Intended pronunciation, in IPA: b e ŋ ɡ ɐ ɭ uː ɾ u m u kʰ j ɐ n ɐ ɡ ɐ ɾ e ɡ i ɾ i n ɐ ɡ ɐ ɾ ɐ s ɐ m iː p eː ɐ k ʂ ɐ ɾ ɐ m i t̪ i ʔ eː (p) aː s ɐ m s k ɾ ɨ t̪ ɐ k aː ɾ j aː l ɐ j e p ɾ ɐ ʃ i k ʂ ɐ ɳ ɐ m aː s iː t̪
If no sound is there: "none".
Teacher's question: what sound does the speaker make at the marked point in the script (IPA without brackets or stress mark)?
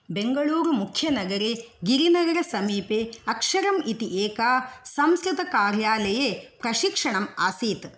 k